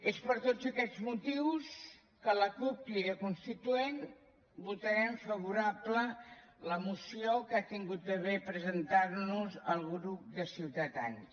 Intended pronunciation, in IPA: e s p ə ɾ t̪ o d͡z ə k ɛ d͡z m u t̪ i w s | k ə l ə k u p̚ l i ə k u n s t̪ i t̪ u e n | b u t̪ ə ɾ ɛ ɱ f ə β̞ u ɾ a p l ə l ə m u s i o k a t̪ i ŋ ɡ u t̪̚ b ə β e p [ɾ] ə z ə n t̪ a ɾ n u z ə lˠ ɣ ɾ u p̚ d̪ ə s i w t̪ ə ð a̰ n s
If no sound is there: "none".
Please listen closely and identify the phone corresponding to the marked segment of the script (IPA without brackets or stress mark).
ɾ